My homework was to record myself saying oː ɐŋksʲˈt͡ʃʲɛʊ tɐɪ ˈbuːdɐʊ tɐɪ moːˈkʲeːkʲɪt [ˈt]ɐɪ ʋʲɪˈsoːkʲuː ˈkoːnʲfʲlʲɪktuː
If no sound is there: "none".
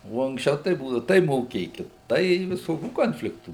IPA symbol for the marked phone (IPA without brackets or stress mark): t